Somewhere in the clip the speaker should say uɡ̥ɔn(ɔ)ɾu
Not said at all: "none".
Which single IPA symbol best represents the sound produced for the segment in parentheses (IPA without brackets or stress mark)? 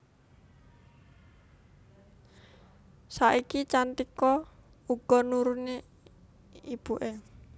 u